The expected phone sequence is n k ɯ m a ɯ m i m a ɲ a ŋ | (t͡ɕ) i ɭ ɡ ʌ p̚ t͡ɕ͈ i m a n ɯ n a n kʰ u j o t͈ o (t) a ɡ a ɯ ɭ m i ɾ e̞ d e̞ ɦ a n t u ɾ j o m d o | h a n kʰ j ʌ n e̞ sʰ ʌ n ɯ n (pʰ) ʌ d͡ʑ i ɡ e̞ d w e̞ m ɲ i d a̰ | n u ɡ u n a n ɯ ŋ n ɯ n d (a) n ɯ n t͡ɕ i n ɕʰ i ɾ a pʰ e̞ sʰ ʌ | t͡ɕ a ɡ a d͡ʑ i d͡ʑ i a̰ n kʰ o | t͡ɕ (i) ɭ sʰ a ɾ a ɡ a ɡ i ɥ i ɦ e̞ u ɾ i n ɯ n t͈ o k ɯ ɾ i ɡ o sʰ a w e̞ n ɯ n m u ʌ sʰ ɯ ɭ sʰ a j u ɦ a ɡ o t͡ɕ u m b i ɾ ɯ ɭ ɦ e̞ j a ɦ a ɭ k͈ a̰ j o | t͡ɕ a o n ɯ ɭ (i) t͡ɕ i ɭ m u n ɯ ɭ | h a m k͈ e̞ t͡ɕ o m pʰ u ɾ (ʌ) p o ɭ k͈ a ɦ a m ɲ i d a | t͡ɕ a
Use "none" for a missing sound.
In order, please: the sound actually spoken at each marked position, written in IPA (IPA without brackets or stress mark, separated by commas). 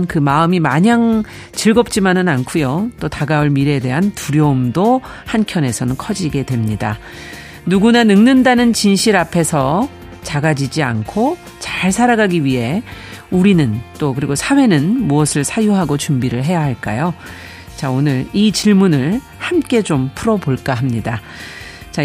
t͡ɕ, t, kʰ, a, a, i, ʌ